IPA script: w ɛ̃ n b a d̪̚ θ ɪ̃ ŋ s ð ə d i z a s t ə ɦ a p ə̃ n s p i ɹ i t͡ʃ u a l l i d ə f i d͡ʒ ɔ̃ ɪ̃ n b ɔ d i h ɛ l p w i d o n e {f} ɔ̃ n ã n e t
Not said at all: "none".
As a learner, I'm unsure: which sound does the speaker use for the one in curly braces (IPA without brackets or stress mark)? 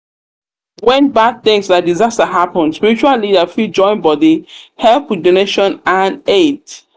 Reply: ʃ